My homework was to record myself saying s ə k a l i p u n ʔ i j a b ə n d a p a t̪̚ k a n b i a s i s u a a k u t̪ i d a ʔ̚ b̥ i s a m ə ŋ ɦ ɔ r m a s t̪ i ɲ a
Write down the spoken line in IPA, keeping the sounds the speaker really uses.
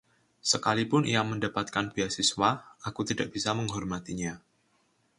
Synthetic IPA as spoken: s ə k a l i p ʊ n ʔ i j a m ə n d a p a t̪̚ k a n b i a s i s w a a k u t̪ i d a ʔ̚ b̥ i s a m ə ŋ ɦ ɔ r m a t̪ i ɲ a